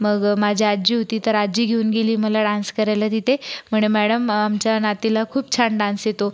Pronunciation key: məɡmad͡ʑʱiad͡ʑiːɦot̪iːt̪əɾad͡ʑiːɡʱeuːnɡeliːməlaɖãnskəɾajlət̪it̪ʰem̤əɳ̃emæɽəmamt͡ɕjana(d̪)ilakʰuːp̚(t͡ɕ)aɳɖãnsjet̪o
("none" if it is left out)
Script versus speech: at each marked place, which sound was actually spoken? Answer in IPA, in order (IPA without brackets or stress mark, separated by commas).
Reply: t̪, t͡ɕʰ